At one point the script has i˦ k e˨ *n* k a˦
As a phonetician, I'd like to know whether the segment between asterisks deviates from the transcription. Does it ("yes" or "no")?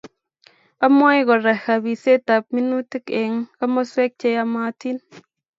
yes